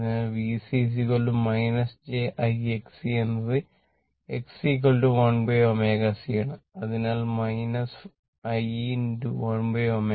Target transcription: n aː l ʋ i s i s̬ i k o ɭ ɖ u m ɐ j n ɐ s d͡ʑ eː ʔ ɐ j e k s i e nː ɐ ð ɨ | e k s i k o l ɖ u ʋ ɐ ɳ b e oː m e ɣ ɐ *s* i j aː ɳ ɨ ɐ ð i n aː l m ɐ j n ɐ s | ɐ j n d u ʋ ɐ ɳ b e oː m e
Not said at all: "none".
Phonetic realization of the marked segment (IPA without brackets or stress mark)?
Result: s